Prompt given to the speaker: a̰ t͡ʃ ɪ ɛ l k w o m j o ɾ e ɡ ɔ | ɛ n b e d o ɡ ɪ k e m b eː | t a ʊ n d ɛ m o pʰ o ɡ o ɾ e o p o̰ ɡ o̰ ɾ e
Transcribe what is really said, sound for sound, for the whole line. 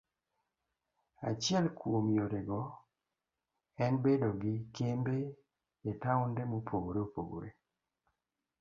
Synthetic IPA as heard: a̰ t͡ʃ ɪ ɛ l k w o m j o ɾ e ɡ ɔ | ɛ n b e d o ɡ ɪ k e m b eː | t a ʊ n d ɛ m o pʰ o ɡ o ɾ e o p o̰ ɡ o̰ ɾ e